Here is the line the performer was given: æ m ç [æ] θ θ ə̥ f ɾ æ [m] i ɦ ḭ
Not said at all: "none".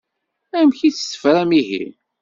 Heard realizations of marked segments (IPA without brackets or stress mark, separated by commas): i, m